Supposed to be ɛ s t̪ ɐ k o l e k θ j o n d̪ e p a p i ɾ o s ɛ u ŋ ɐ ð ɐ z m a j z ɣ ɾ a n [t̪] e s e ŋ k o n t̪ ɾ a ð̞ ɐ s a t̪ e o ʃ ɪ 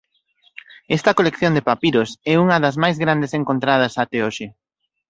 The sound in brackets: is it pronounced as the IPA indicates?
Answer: no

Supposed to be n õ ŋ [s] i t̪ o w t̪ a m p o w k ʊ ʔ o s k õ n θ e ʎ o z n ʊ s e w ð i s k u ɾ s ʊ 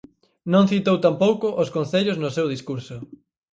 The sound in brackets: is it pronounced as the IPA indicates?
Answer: no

